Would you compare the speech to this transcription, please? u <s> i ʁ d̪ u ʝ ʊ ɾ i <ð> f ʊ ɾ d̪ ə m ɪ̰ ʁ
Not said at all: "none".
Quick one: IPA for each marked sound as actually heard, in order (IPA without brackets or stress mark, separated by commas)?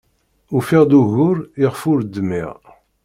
f, ʁ